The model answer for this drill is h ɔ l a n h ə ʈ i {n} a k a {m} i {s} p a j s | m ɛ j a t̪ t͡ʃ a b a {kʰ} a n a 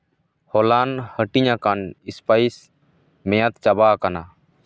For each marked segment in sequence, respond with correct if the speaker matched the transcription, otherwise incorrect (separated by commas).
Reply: incorrect, incorrect, correct, incorrect